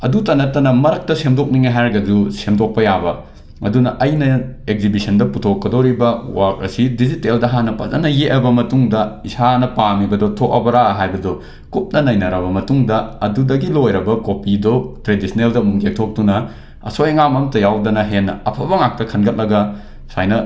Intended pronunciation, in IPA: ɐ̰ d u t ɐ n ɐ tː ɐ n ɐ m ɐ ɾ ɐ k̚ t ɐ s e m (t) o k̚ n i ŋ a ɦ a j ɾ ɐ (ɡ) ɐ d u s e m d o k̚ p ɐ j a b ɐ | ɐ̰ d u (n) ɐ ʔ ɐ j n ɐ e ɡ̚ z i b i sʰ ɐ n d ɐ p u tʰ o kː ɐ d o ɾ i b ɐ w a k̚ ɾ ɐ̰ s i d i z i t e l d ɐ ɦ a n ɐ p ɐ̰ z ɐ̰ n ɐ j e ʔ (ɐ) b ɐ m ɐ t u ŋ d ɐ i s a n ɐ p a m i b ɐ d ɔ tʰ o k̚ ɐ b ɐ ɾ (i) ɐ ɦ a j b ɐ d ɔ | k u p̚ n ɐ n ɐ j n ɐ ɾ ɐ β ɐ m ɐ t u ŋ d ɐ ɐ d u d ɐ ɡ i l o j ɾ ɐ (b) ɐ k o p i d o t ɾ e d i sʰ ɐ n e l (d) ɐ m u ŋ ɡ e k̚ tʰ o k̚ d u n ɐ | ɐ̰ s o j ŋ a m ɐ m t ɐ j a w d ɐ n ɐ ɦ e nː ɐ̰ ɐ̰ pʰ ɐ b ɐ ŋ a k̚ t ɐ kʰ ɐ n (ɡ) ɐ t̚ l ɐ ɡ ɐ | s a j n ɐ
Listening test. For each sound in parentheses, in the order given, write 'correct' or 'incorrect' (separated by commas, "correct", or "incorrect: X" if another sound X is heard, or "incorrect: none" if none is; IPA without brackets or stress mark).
incorrect: d, correct, correct, correct, incorrect: a, correct, correct, correct